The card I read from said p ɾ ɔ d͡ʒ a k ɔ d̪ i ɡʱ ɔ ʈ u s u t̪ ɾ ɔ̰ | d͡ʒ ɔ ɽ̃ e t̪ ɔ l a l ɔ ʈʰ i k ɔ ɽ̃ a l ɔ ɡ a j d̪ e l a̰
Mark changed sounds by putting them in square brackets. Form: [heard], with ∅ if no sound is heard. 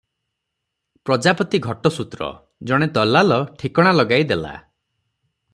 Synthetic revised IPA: p ɾ ɔ d͡ʒ a [p] ɔ [t̪] i ɡʱ ɔ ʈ [ɔ] s u t̪ ɾ ɔ̰ | d͡ʒ ɔ ɽ̃ e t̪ ɔ l a l ɔ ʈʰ i k ɔ ɽ̃ a l ɔ ɡ a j d̪ e l a̰